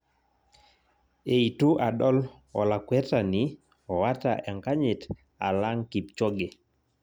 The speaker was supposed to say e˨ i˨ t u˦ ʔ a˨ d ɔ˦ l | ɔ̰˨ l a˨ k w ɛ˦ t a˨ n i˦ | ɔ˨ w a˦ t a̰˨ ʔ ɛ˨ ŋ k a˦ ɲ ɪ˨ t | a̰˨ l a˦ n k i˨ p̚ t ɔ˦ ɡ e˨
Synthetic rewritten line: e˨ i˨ t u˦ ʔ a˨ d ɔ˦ l | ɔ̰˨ l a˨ k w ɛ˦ t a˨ n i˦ | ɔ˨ w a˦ t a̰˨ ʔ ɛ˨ ŋ k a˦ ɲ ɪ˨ t | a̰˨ l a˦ ŋ k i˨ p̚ t͡ʃ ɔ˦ ɡ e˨